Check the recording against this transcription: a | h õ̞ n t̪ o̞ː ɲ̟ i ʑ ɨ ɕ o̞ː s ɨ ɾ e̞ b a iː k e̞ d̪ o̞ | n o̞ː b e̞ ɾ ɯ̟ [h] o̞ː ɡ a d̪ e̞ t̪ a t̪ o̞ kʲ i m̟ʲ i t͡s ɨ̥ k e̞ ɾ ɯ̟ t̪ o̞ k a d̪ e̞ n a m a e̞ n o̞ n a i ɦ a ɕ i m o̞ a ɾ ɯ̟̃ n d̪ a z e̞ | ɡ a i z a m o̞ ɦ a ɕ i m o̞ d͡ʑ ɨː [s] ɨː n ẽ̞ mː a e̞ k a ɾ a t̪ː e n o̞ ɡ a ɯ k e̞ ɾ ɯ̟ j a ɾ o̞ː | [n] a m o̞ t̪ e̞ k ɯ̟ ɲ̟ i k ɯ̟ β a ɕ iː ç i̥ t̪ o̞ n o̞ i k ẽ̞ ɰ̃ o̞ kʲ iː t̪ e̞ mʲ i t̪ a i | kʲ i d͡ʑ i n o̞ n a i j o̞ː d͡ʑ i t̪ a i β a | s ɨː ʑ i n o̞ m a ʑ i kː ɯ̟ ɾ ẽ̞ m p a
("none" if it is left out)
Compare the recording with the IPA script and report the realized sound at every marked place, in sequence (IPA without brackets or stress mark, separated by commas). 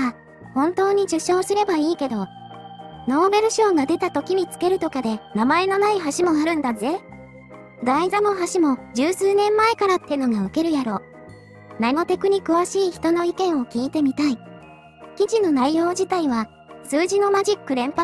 ɕ, s, n